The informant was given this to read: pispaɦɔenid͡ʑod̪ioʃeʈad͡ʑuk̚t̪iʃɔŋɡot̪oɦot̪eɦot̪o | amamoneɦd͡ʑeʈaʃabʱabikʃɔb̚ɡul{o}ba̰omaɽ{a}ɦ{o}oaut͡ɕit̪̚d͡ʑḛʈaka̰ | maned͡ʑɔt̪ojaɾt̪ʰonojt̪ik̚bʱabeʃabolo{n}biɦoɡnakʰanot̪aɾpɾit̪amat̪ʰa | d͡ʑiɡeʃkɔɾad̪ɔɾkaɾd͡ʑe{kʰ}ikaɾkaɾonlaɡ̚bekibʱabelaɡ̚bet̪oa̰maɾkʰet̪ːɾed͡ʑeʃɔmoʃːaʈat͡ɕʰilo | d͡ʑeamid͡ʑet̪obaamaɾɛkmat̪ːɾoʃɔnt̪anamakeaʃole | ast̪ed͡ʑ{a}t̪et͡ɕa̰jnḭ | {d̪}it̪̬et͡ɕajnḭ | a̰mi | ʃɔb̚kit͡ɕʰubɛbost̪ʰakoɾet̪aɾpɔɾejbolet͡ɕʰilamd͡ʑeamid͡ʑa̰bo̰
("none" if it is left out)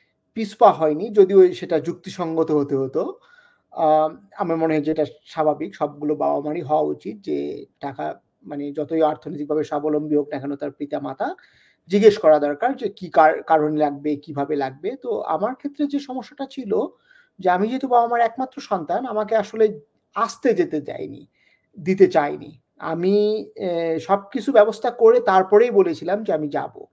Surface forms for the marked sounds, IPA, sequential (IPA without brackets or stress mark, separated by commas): o, i, ɔ, m, k, e, d̪